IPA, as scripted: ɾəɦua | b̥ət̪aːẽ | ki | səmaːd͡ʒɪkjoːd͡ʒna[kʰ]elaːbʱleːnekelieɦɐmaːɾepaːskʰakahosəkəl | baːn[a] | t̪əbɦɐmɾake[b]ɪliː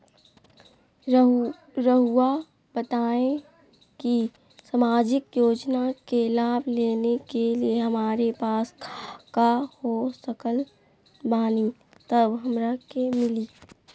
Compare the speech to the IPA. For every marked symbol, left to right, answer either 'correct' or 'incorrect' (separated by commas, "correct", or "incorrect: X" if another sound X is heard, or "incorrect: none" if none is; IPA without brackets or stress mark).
incorrect: k, incorrect: i, incorrect: m